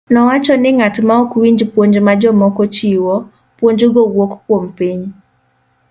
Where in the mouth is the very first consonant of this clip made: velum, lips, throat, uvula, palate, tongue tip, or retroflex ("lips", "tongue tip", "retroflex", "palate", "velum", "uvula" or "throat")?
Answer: tongue tip